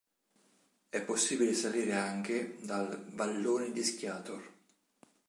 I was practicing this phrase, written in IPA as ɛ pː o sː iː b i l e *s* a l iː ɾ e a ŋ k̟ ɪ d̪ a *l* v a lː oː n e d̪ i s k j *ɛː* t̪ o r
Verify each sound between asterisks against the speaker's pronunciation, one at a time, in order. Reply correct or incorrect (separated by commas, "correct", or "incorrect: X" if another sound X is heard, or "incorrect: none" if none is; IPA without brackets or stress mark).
correct, correct, incorrect: aː